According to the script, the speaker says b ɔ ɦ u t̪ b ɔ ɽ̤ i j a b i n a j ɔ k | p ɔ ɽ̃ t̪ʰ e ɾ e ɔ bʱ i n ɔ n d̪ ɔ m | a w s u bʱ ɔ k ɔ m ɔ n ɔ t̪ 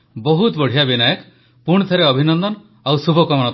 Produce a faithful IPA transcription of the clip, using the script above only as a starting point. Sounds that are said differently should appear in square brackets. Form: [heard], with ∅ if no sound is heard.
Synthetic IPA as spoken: b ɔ ɦ u t̪ b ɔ ɽ̤ i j a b i n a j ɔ k | p [u] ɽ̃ t̪ʰ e ɾ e ɔ bʱ i n ɔ n d̪ ɔ [n] | a w s u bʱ ɔ k ɔ m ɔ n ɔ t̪